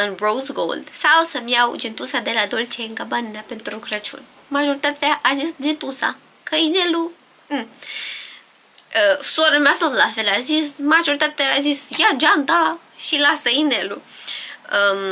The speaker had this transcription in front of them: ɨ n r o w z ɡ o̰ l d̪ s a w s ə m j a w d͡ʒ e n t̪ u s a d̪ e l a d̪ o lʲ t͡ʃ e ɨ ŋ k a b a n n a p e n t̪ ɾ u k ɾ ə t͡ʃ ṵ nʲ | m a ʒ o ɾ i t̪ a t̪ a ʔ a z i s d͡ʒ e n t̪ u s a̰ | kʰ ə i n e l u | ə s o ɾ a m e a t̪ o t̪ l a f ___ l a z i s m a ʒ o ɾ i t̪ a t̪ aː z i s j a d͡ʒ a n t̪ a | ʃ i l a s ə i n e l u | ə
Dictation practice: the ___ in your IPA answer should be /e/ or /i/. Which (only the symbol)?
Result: e